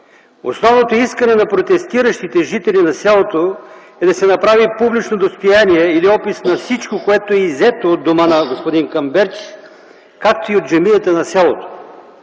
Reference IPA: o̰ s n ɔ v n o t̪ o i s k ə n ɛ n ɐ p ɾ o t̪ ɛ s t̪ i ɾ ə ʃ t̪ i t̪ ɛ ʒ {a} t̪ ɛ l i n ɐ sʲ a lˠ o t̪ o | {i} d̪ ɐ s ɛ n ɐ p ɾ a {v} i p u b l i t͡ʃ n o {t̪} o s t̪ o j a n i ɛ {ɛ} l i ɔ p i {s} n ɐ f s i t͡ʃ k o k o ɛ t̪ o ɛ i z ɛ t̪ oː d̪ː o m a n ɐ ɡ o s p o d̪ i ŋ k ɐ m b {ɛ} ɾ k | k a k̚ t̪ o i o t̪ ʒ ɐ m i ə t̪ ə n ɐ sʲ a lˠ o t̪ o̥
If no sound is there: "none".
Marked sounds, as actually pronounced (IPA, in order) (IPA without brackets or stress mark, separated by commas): i, ɛ, v, d̪, i, s, ɛ